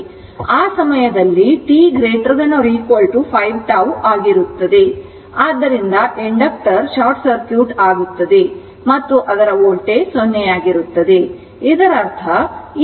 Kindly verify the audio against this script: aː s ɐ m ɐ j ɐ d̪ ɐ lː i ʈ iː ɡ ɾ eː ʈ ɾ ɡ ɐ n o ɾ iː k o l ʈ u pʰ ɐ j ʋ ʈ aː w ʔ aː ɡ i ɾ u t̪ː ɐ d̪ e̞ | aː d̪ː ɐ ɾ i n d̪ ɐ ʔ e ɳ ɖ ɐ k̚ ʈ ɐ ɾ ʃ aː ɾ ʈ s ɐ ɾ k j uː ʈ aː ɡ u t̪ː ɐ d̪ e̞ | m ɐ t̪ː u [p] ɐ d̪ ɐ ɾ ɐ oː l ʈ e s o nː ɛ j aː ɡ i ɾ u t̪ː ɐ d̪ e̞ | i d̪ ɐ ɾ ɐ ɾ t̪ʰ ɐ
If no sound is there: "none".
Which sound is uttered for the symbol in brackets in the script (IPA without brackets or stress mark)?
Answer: ʔ